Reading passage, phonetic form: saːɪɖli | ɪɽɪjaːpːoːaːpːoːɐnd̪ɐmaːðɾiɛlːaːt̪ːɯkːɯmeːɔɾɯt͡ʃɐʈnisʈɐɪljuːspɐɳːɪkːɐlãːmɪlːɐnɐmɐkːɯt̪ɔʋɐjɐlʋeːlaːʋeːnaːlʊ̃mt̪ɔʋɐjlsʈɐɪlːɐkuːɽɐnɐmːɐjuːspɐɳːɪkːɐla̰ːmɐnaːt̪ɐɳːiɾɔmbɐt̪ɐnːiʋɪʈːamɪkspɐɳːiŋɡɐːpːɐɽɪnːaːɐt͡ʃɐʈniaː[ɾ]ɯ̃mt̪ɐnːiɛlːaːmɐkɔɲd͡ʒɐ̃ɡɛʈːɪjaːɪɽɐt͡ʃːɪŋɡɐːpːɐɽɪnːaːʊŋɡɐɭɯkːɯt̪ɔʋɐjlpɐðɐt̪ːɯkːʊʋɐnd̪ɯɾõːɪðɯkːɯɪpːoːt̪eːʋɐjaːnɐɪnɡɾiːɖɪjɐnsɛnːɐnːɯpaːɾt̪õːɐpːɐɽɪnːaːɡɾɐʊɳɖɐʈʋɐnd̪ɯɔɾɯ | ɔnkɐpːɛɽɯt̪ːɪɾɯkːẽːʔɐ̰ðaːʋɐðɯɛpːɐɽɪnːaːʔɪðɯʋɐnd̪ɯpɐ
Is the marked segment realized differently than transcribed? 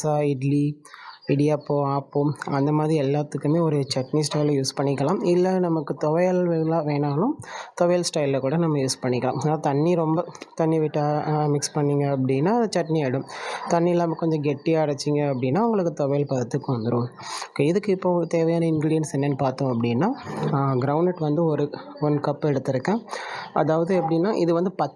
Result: yes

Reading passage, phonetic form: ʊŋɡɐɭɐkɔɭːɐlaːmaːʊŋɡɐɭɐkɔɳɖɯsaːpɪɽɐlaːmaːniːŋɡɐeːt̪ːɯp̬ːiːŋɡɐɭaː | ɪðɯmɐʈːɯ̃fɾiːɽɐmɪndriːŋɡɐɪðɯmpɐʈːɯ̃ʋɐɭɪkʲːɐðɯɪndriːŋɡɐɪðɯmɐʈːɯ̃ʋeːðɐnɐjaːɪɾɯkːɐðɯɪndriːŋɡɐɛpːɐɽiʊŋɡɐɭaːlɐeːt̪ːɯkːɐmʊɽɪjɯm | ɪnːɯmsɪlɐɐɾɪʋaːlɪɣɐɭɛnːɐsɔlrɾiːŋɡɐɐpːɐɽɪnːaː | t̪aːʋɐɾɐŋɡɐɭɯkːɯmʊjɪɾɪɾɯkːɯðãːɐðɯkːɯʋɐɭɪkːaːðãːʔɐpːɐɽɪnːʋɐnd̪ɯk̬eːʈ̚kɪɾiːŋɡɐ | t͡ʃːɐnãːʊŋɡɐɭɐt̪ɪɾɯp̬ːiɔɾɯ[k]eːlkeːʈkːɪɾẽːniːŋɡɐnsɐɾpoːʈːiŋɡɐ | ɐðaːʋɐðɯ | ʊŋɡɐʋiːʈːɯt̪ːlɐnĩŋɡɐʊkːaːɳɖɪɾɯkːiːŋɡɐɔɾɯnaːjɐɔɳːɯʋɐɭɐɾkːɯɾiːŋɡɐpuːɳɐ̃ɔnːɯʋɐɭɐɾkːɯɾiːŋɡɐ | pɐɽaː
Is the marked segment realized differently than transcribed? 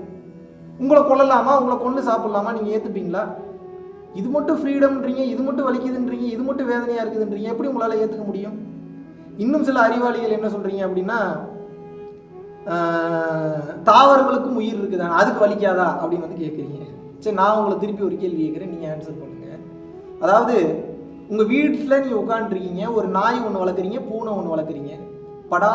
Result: no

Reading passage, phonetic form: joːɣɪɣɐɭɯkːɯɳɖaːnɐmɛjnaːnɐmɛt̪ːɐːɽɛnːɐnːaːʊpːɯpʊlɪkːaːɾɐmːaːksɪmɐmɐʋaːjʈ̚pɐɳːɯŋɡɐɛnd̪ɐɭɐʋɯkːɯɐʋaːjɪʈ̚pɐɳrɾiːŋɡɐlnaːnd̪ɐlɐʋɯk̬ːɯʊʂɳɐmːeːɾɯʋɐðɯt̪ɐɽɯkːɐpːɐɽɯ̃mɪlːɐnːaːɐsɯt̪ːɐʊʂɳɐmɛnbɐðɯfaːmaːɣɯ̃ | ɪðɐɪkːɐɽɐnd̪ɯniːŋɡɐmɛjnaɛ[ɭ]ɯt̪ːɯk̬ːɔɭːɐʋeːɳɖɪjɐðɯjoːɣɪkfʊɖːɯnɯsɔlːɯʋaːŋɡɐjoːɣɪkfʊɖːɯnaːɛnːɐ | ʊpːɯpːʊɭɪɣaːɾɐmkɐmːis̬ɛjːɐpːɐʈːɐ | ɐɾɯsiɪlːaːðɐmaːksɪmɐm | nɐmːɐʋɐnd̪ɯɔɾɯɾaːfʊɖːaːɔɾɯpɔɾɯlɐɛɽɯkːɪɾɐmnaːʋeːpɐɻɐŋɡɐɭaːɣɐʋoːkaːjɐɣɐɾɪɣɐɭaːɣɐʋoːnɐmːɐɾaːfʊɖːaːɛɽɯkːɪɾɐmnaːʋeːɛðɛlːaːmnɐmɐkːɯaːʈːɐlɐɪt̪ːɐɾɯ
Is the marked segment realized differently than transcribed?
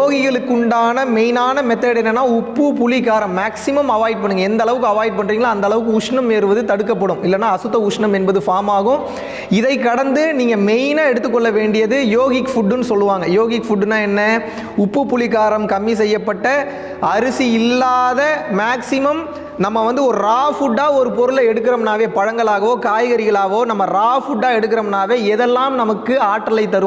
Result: yes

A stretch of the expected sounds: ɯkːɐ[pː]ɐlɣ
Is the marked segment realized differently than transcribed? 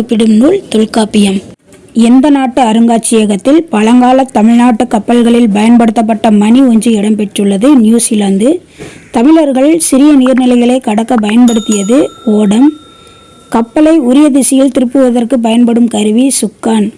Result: no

